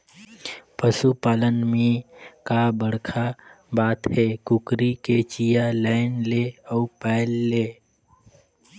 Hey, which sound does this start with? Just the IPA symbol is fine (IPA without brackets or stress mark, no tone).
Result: p